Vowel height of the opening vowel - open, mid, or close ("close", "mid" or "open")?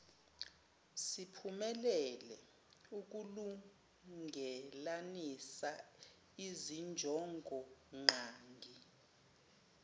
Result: close